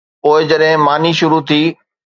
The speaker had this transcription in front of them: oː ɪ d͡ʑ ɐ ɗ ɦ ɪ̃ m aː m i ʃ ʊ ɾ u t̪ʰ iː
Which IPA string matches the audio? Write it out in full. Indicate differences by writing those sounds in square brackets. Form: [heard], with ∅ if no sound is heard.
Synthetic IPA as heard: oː ɪ d͡ʑ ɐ ɗ ɦ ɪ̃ m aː [n] i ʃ ʊ ɾ u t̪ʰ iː